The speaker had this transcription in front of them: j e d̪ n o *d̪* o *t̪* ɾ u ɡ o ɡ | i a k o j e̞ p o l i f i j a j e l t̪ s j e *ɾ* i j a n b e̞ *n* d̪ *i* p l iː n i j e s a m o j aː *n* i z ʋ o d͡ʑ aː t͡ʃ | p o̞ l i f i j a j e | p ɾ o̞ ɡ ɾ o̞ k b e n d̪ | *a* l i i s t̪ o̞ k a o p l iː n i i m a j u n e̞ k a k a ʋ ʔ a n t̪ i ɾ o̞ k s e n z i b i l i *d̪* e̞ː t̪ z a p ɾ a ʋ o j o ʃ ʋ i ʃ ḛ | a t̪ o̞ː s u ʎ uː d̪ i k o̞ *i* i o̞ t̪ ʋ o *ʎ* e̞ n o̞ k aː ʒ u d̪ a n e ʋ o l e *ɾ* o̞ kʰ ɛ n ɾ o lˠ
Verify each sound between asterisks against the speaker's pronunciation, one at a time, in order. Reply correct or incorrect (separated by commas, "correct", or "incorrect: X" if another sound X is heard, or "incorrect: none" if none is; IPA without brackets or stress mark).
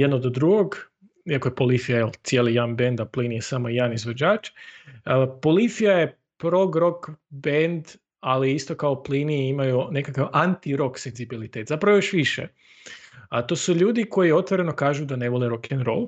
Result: correct, incorrect: d̪, incorrect: l, correct, incorrect: a, correct, correct, incorrect: t̪, incorrect: j, incorrect: ɾ, correct